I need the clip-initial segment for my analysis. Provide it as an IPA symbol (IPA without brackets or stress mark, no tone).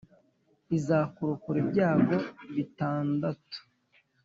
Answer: i